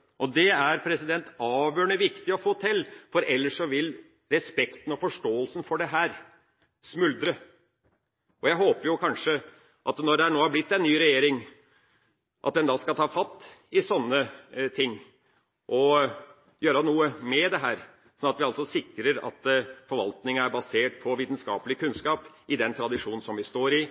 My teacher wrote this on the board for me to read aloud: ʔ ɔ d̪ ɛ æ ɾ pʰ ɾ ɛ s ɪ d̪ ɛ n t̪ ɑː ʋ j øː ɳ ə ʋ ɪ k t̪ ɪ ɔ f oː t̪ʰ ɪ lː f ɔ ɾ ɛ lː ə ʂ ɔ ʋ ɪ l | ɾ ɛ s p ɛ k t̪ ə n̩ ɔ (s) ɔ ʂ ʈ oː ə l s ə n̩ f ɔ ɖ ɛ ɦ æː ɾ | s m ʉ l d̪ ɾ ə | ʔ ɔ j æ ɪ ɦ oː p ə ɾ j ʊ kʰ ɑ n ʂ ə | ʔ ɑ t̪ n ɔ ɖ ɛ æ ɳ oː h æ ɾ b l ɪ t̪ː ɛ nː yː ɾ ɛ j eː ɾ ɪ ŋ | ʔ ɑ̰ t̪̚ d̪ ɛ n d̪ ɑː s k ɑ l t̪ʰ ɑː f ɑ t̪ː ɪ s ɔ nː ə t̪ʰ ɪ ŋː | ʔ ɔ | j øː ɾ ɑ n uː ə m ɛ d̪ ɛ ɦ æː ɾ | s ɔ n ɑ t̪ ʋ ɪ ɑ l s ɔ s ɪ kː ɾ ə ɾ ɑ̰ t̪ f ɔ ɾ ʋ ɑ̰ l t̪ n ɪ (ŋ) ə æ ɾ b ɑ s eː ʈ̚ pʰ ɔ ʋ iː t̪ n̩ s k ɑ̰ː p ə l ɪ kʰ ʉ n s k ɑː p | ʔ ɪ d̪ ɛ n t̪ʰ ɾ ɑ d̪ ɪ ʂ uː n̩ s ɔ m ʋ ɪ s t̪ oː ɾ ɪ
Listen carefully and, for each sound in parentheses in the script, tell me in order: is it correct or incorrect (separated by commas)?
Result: incorrect, correct